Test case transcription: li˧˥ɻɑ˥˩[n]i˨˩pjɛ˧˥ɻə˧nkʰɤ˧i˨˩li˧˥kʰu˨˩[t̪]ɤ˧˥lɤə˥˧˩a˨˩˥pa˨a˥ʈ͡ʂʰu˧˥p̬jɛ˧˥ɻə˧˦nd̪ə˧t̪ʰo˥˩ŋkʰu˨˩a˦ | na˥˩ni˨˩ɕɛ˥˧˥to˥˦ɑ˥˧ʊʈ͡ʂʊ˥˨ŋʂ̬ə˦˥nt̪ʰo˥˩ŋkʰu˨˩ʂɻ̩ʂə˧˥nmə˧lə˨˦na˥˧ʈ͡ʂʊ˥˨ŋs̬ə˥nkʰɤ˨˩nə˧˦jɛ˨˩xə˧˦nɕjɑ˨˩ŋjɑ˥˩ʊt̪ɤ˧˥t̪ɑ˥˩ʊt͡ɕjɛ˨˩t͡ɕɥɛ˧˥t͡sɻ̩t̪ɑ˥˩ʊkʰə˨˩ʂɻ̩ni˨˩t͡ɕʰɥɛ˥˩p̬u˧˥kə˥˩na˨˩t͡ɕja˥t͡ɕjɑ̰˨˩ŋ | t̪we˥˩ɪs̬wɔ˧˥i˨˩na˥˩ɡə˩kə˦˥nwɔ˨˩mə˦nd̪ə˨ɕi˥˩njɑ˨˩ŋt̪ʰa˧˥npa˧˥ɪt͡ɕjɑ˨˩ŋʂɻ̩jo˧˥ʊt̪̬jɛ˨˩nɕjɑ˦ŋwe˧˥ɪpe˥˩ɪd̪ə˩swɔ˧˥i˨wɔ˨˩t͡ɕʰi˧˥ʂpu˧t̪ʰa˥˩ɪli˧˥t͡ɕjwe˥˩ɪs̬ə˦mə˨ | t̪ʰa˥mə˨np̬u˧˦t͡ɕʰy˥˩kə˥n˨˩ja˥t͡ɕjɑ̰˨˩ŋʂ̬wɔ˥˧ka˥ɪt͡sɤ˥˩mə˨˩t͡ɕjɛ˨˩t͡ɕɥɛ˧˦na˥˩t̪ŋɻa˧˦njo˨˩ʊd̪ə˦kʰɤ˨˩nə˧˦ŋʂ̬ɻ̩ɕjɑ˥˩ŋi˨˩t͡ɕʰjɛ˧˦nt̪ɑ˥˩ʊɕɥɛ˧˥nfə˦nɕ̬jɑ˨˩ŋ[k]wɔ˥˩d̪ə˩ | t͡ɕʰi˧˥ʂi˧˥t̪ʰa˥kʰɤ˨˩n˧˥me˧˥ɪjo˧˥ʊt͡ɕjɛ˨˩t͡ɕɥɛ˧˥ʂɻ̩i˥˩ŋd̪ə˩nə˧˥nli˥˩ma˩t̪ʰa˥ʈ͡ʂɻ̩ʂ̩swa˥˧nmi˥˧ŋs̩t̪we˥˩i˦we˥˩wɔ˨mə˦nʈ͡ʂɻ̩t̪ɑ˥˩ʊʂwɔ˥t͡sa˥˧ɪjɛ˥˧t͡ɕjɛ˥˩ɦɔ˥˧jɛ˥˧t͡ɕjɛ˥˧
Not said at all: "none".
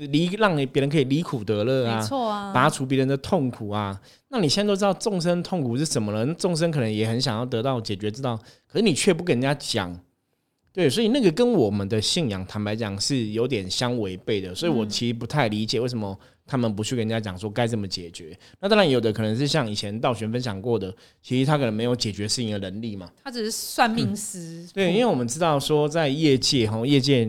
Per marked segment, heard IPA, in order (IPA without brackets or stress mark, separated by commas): ŋ, t̪, k